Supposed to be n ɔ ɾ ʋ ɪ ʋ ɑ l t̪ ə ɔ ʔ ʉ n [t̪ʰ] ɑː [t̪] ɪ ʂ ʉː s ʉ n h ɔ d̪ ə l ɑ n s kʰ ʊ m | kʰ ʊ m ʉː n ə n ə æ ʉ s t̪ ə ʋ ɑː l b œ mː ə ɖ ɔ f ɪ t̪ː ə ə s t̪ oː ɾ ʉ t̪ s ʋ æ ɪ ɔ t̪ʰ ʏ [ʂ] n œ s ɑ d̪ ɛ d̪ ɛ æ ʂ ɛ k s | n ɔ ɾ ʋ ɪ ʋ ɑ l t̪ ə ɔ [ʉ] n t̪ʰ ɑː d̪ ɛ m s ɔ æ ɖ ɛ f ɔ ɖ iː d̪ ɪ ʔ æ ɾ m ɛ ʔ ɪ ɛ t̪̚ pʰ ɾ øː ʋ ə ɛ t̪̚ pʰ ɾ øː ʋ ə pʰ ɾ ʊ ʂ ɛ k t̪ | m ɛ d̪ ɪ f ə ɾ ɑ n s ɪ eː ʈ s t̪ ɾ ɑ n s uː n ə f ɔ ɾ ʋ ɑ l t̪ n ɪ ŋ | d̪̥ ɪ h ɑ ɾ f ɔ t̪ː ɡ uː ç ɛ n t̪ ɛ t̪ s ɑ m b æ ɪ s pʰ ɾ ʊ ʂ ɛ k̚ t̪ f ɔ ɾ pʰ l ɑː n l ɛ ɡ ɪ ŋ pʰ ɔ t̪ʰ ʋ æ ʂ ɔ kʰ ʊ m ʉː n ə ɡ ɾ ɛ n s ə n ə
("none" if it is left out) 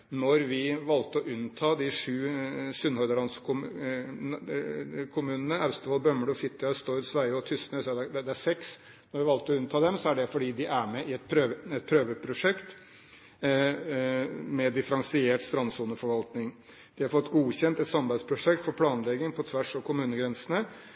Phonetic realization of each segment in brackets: t̪ʰ, d̪, s, ʉ

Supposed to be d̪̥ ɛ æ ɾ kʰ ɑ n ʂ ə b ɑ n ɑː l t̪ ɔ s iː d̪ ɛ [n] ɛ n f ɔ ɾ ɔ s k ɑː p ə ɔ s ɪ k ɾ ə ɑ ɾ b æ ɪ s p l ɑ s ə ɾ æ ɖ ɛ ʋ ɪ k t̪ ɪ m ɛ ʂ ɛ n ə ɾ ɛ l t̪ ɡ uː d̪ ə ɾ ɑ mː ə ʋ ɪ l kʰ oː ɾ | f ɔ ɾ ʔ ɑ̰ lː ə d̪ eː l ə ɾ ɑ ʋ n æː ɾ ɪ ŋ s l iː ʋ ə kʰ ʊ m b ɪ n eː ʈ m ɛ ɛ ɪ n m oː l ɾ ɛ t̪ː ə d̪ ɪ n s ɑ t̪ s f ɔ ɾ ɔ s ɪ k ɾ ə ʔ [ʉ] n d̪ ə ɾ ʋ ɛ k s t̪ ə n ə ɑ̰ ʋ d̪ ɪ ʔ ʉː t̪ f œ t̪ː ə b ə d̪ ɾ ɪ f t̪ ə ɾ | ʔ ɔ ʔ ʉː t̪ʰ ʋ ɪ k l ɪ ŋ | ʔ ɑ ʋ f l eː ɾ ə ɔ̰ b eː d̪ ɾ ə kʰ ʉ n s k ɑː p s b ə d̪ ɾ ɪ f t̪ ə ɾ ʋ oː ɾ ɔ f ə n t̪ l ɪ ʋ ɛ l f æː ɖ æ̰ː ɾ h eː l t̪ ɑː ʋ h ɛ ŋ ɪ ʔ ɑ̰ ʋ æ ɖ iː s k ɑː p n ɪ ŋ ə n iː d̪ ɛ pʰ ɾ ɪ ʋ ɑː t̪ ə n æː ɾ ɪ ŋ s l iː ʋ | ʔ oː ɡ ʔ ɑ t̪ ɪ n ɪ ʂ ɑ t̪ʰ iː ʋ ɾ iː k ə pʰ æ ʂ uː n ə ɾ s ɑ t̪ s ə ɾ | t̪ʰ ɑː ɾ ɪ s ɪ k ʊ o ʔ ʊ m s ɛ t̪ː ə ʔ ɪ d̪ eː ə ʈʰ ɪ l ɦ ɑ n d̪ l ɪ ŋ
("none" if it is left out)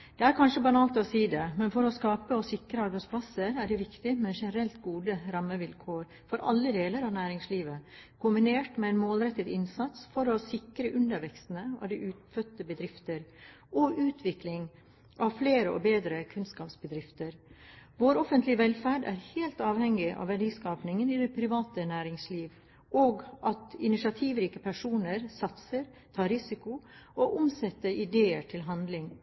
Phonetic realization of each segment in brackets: m, ʉ

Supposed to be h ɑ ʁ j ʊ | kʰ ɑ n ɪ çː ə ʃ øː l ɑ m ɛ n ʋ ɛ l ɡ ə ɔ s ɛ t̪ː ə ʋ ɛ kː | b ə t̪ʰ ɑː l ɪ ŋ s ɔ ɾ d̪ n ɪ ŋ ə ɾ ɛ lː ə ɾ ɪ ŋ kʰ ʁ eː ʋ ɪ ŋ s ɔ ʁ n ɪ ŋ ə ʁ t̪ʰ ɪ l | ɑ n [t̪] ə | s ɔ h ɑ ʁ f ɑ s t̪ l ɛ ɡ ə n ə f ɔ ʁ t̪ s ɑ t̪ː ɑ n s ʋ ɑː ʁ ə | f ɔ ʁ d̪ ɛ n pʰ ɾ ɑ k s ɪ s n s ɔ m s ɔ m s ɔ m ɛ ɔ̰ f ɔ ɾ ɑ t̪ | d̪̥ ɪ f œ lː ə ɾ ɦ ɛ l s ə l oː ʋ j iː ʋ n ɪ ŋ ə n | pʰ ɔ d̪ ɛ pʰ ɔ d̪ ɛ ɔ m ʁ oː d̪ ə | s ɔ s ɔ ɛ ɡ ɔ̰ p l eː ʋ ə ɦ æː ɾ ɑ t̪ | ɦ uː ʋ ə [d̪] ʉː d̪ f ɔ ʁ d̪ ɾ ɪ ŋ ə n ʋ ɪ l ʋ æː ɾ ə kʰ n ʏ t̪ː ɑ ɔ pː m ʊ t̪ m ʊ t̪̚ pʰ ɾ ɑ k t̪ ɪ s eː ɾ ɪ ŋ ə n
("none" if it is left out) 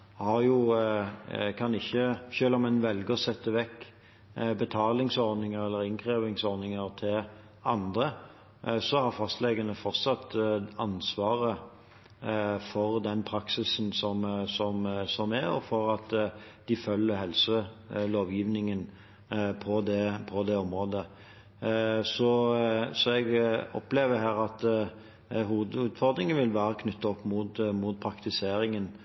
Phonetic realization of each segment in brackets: d̪, d̪

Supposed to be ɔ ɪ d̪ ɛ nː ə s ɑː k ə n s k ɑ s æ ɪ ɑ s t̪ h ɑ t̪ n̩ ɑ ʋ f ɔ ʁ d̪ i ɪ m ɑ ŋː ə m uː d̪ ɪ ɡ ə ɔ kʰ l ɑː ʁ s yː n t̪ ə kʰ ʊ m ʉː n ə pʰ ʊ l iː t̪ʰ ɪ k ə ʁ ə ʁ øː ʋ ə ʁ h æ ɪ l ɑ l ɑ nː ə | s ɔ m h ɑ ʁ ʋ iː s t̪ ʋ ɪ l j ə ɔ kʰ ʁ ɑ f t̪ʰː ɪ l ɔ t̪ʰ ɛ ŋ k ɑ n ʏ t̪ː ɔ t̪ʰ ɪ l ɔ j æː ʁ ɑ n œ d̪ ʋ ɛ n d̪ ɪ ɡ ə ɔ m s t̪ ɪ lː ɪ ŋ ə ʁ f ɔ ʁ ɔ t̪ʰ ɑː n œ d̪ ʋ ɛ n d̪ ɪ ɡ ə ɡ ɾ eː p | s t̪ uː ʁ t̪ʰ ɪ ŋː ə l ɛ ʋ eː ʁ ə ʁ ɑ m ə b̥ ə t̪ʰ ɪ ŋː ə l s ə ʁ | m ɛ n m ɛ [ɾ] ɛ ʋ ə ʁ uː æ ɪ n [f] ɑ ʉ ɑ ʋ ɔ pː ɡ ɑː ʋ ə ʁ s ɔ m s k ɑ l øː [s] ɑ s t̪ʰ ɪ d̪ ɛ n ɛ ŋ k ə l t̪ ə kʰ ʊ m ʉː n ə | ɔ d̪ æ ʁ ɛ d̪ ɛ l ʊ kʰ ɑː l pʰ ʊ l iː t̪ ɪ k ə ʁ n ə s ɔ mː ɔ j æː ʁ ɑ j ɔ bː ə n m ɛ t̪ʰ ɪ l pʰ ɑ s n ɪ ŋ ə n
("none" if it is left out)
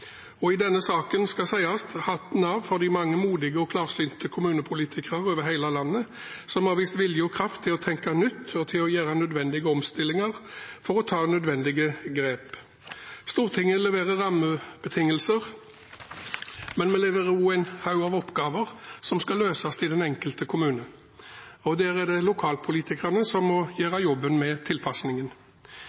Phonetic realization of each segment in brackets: l, h, s

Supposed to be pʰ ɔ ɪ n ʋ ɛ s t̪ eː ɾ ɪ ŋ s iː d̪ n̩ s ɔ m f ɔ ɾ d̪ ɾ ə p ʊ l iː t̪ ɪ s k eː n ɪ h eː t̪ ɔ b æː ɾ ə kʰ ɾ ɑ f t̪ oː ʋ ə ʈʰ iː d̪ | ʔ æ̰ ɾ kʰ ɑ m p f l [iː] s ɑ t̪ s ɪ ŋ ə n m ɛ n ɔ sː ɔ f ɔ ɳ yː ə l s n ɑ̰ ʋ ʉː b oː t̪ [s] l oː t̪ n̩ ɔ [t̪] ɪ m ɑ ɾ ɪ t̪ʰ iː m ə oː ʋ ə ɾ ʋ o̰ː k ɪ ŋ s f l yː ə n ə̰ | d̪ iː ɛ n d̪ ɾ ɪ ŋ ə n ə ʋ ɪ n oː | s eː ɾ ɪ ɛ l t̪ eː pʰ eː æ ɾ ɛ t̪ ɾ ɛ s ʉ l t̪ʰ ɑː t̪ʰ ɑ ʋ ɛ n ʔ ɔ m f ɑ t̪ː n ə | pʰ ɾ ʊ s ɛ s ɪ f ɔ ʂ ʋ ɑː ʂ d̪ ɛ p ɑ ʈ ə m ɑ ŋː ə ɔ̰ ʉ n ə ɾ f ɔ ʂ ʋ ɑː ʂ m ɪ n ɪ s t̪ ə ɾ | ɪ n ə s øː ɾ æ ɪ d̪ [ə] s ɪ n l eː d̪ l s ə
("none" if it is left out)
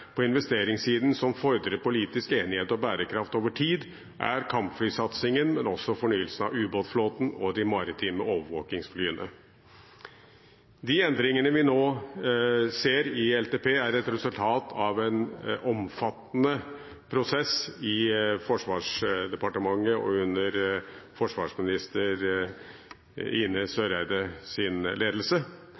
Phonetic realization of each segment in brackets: yː, f, d̪, ə

